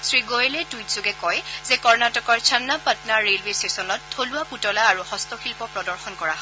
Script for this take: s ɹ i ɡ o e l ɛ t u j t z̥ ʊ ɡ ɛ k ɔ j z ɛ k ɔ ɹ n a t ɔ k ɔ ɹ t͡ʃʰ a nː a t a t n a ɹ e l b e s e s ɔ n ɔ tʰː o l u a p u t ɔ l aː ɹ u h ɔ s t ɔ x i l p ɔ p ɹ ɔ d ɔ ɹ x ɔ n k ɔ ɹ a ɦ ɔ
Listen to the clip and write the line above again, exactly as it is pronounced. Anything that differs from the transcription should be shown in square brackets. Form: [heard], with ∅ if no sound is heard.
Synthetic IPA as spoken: s ɹ i ɡ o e l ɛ t u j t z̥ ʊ ɡ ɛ k ɔ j z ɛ k ɔ ɹ n a t ɔ k ɔ ɹ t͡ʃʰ a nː a [p] a t n a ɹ e l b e s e s ɔ n ɔ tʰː o l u a p u t ɔ l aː ɹ u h ɔ s t ɔ x i l p ɔ p ɹ ɔ d ɔ ɹ x ɔ n k ɔ ɹ a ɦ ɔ